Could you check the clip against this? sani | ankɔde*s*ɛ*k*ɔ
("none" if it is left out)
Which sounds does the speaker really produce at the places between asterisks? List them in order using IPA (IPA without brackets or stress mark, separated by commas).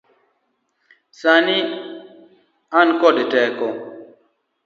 t, k